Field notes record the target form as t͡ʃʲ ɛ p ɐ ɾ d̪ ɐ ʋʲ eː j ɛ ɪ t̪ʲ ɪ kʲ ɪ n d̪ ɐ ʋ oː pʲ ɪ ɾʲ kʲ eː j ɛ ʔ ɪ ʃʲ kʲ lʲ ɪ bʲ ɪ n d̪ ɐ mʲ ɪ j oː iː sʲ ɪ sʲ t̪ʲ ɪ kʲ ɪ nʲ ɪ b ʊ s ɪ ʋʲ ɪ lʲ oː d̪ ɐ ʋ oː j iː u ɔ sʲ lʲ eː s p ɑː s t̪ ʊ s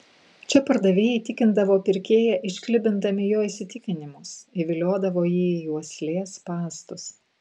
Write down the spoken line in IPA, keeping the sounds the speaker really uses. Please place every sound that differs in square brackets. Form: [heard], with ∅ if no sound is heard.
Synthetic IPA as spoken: t͡ʃʲ ɛ p ɐ ɾ d̪ ɐ ʋʲ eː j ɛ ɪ t̪ʲ ɪ kʲ ɪ n d̪ ɐ ʋ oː pʲ ɪ ɾʲ kʲ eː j ɛ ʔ ɪ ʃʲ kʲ lʲ ɪ bʲ ɪ n d̪ ɐ mʲ ɪ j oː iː sʲ ɪ [∅] t̪ʲ ɪ kʲ ɪ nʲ ɪ [m] ʊ s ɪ ʋʲ ɪ lʲ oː d̪ ɐ ʋ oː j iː u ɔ sʲ lʲ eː s p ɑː s t̪ ʊ s